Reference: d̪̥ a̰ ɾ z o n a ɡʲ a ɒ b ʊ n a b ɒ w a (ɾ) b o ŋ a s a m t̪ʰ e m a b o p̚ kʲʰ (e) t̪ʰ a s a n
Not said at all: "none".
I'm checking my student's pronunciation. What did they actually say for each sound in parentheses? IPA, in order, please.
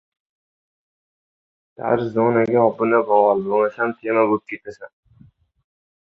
l, e

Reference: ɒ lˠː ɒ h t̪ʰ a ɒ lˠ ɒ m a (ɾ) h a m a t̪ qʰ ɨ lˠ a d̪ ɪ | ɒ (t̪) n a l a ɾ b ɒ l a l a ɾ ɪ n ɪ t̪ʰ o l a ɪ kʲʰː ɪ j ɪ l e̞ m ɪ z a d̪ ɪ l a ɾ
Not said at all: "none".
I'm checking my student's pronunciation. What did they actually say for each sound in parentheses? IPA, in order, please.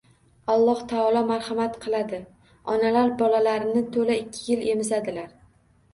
ɾ, none

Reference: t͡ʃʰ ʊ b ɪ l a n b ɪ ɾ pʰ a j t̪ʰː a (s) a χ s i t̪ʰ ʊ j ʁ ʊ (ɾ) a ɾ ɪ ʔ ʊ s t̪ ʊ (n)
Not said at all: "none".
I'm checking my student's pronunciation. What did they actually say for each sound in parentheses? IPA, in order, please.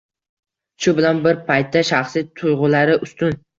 ʃ, l, n

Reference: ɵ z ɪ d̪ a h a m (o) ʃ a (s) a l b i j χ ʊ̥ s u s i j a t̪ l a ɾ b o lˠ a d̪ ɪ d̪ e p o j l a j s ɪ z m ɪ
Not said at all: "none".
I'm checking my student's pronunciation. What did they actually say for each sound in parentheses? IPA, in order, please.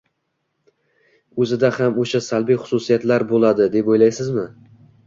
o, s

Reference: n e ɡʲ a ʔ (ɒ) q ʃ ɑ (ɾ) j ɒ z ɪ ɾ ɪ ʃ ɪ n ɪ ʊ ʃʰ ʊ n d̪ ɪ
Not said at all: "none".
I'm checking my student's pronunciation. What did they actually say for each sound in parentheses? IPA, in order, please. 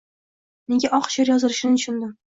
ɒ, ɾ

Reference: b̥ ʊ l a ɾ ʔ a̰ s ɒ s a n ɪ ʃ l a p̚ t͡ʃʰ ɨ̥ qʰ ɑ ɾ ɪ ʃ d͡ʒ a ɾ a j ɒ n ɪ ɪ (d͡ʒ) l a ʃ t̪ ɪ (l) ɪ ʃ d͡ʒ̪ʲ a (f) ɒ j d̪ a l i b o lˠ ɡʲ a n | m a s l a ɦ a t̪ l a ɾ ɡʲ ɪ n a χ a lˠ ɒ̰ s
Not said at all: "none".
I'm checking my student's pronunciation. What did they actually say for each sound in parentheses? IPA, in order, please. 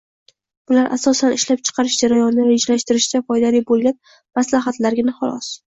d͡ʒ, ɾ, f

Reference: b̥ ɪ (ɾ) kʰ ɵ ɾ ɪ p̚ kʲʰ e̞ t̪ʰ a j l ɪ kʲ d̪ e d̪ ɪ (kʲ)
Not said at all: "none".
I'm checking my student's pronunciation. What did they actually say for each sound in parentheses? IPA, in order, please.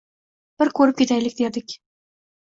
ɾ, kʲ

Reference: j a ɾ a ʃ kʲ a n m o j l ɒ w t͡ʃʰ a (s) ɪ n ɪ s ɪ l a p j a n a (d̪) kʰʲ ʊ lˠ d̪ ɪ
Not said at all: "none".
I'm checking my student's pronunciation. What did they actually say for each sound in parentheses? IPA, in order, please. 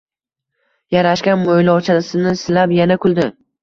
s, none

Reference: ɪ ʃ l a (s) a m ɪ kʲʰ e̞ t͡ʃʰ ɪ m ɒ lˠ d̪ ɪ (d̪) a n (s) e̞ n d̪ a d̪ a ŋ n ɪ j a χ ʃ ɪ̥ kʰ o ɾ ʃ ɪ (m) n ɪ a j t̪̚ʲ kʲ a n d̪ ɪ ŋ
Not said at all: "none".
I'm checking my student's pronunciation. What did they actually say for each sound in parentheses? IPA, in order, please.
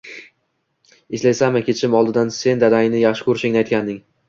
s, d̪, s, ŋ

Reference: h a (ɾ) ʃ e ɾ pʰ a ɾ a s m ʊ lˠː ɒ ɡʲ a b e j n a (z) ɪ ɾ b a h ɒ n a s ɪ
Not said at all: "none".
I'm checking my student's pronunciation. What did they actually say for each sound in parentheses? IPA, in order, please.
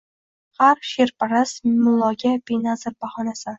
ɾ, z

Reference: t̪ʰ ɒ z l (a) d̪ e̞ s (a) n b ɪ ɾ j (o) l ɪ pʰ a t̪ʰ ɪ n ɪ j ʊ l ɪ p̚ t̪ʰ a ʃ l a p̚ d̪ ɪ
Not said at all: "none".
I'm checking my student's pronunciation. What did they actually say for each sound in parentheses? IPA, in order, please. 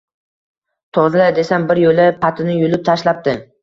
a, a, o

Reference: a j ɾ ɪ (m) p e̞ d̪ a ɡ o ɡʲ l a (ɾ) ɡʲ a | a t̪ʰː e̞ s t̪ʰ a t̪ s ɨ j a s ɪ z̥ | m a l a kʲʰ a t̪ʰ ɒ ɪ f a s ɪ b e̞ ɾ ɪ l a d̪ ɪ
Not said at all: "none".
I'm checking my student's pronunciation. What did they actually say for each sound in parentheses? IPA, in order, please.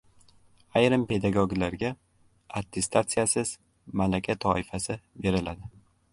m, ɾ

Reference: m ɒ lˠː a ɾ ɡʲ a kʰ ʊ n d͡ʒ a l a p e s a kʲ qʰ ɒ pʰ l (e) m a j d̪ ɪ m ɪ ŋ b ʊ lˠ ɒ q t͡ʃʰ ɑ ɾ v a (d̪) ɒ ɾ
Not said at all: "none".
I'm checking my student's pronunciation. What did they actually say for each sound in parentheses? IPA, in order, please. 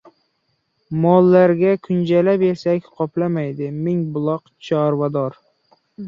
a, d̪

